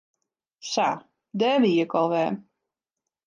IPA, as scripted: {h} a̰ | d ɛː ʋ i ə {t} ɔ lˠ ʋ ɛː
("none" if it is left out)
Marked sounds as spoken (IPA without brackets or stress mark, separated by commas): s, k